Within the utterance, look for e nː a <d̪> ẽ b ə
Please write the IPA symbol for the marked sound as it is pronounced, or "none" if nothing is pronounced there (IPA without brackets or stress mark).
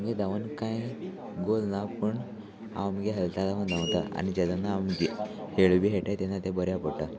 t̪